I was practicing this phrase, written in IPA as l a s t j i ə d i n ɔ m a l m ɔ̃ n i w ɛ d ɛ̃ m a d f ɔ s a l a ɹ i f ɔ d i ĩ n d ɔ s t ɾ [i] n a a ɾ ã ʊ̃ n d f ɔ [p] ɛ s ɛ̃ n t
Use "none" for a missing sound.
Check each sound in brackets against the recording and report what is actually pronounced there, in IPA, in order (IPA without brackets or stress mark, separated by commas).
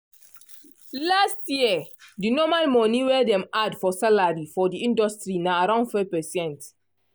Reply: i, p